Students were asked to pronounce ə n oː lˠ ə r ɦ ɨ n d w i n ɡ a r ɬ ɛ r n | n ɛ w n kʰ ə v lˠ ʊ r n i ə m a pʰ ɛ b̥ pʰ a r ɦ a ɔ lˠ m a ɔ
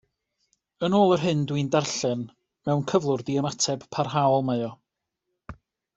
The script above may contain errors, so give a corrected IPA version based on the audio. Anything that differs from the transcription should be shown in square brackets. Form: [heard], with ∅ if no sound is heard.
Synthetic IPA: ə n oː lˠ ə r ɦ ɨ n d w i n [d] a r ɬ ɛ [∅] n | [m] ɛ w n kʰ ə v lˠ ʊ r [d] i ə m a [tʰ] ɛ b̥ pʰ a r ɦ a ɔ lˠ m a ɔ